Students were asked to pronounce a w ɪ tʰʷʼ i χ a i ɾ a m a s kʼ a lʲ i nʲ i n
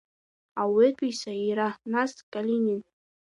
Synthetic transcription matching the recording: a w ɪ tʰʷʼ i s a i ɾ a n a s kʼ a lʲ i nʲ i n